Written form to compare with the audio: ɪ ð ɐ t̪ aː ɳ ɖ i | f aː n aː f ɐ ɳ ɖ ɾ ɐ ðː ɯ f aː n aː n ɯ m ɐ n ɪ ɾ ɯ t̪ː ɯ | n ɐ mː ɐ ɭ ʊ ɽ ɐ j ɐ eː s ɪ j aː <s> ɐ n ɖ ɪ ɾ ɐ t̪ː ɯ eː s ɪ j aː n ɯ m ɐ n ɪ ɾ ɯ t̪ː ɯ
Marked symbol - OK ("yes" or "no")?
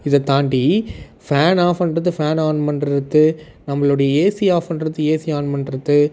no